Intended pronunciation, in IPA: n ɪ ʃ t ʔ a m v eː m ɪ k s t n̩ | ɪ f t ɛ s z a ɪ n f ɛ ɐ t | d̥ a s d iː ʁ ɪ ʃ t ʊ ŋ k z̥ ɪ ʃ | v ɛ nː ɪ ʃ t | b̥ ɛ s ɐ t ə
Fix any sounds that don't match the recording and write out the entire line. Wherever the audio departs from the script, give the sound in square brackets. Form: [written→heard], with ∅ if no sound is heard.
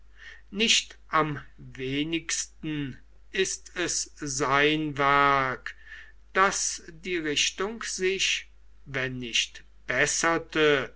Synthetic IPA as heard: n ɪ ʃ t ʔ a m v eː [m→n] ɪ k s t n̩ | ɪ [f→s] t ɛ s z a ɪ n [f→v] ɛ ɐ [t→k] | d̥ a s d iː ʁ ɪ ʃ t ʊ ŋ k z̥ ɪ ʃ | v ɛ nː ɪ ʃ t | b̥ ɛ s ɐ t ə